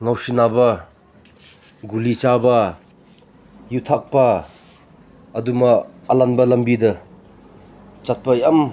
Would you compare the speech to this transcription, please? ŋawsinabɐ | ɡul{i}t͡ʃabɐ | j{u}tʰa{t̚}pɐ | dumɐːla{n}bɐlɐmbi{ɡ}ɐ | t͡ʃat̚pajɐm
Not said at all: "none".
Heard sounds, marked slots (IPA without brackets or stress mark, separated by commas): i, u, k̚, n, d